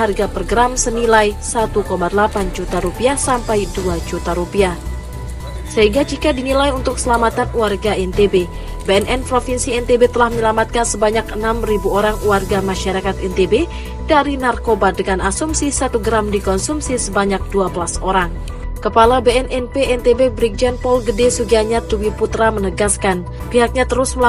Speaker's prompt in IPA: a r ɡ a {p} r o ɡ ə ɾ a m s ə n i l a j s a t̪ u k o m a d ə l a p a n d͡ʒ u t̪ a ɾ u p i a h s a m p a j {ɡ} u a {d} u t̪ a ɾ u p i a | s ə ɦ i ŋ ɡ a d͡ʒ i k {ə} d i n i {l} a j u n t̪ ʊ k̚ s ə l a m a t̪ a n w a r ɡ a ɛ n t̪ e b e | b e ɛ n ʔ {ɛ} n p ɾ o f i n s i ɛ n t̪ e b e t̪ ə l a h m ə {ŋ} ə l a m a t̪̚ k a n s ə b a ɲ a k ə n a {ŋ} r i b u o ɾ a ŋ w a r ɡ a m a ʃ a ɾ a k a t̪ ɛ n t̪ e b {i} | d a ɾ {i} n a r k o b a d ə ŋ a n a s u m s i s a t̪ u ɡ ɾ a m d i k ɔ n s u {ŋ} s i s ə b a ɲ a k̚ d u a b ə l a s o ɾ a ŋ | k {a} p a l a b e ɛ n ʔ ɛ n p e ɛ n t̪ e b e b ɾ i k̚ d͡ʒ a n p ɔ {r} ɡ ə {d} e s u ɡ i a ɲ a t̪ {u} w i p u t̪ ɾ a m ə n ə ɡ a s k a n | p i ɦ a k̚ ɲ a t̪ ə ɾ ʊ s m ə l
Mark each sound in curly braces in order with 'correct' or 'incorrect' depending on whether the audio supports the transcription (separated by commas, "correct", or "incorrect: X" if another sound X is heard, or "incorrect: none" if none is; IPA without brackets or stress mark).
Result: correct, incorrect: d, incorrect: d͡ʒ, incorrect: a, correct, correct, incorrect: ɲ, incorrect: m, incorrect: e, correct, incorrect: m, incorrect: ə, incorrect: l, correct, correct